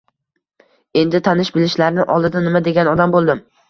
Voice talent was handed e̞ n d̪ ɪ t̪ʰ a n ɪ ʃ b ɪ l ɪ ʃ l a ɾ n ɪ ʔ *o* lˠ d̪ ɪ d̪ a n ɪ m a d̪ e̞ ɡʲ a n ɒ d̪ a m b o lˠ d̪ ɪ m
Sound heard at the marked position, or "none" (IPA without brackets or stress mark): ɒ